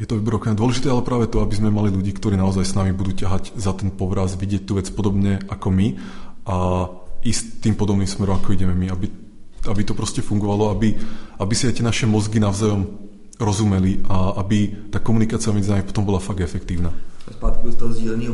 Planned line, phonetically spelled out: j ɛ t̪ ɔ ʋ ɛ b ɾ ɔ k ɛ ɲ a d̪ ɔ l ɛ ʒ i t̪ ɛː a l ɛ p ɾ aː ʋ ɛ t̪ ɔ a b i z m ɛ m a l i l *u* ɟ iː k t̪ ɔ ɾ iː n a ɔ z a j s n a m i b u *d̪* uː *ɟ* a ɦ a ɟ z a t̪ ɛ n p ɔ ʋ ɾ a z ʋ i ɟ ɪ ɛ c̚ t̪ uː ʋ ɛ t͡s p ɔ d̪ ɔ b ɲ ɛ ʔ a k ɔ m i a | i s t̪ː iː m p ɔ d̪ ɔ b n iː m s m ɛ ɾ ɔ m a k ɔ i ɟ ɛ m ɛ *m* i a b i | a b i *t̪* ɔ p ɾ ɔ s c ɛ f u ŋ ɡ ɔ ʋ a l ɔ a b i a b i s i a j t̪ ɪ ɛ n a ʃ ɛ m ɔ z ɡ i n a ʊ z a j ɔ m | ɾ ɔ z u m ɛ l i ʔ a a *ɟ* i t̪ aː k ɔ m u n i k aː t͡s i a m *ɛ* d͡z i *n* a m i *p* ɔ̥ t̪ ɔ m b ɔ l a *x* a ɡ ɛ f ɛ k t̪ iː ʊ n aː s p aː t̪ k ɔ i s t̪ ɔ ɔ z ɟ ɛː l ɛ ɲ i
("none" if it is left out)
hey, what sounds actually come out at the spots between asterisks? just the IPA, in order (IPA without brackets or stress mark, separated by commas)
u, d̪, c, m, t̪, b, ɛ, n, p, f